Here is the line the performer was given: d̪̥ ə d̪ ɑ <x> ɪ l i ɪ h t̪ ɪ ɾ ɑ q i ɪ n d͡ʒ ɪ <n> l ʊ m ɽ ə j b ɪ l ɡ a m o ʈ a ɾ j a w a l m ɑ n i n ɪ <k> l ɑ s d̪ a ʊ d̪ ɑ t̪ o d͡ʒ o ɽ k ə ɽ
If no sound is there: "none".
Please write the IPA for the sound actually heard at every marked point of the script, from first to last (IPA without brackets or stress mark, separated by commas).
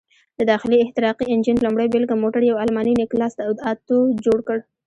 x, n, k